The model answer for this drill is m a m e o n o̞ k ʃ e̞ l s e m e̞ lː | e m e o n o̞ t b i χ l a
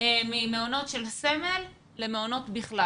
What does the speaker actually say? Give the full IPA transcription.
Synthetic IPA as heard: m i m e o n o̞ t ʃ e̞ l s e m e̞ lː | e m e o n o̞ t b i χ l a